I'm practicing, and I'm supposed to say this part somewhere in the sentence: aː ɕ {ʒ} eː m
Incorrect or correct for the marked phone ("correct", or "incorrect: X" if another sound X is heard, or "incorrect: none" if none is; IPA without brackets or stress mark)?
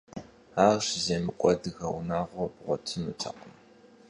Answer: incorrect: z